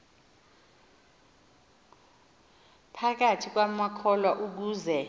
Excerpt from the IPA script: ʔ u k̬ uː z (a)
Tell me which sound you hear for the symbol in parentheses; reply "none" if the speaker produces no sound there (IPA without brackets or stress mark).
ɛ